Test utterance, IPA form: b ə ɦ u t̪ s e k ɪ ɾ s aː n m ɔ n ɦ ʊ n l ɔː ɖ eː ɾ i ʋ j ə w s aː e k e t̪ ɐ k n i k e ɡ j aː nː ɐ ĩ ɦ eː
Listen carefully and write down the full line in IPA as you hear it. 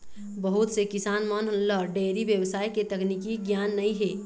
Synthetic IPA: b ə ɦ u t̪ s e k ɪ s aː n m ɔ n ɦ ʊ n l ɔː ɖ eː ɾ i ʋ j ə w s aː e k e t̪ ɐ k n i k i ɡ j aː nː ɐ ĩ ɦ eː